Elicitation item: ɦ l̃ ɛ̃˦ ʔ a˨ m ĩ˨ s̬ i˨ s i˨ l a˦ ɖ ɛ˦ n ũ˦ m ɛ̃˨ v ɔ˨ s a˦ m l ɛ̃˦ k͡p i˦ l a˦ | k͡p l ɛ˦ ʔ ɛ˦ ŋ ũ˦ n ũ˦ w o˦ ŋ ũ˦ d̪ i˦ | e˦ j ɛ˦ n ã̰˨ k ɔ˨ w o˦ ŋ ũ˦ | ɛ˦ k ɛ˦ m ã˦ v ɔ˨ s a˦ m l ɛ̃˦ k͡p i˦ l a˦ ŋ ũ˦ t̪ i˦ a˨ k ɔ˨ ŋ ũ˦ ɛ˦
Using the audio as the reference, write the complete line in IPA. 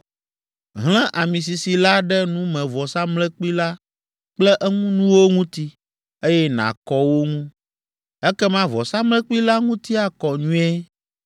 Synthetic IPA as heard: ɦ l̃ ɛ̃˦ ʔ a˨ m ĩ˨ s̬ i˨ s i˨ l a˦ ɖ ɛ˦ n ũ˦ m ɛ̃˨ v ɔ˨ s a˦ m l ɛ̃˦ k͡p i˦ l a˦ | k͡p l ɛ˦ ʔ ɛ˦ ŋ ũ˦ n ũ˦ w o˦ ŋ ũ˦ t̪ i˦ | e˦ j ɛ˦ n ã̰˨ k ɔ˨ w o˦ ŋ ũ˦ | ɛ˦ k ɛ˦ m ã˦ v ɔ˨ s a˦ m l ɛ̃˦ k͡p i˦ l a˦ ŋ ũ˦ t̪ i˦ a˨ k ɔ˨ ɲ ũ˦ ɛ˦